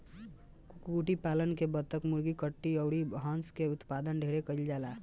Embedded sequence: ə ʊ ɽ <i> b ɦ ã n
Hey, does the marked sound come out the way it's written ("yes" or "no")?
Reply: yes